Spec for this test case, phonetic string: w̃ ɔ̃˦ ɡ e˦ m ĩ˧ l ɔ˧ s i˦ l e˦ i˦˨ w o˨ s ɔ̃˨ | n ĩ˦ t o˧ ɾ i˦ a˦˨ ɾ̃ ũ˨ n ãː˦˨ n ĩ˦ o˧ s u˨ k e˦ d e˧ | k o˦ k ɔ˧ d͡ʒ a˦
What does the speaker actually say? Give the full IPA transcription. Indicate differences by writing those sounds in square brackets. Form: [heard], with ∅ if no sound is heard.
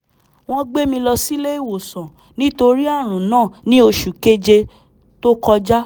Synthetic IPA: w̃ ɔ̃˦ [ɡ͡b] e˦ m ĩ˧ l ɔ˧ s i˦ l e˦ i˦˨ w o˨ s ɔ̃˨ | n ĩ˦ t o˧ ɾ i˦ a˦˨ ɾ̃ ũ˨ n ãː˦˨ n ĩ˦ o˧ [ʃ] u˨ k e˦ [d͡ʒ] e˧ | [t] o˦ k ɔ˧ d͡ʒ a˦